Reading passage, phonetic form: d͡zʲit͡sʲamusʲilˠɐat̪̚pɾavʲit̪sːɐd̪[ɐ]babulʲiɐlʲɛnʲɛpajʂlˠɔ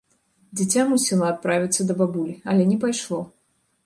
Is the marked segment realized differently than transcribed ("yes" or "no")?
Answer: no